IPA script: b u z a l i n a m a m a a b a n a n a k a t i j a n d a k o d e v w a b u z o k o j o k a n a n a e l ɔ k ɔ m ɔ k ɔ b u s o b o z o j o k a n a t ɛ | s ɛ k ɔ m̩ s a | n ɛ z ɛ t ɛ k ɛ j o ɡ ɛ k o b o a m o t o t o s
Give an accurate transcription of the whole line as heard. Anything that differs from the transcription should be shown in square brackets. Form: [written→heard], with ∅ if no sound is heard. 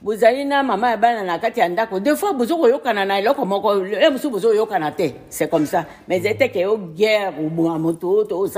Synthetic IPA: b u z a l i n a m a m a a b a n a n a k a t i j a n d a k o d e [v→f] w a b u z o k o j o k a n a n a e l ɔ k ɔ m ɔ k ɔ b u s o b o z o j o k a n a t ɛ | s ɛ k ɔ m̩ s a | [n→m] ɛ z ɛ t ɛ k ɛ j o ɡ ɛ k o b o a m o t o t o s